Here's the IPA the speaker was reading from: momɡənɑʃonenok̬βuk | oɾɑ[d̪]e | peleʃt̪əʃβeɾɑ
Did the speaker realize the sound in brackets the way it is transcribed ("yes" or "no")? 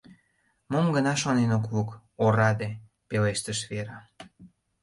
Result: yes